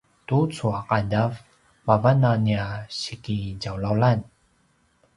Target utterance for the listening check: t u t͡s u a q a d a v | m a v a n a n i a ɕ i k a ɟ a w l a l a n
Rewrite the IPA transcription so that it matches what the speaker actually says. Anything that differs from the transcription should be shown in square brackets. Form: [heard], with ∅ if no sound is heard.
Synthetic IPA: t u t͡s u a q a d a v | m a v a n a n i a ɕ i k [i] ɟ a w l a l a n